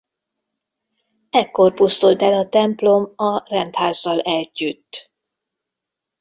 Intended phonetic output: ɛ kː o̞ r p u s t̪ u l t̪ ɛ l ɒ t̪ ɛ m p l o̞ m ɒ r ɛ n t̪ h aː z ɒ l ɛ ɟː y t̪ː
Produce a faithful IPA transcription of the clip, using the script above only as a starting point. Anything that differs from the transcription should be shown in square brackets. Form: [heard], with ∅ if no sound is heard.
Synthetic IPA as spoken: ɛ kː o̞ r p u s t̪ u l t̪ ɛ l ɒ t̪ ɛ m p l o̞ m ɒ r ɛ n t̪ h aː [zː] ɒ l ɛ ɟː y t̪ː